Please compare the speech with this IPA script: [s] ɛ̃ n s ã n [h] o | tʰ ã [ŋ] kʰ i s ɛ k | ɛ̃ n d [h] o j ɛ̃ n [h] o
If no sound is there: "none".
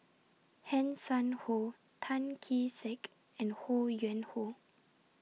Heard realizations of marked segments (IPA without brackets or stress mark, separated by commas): h, h, n, h, h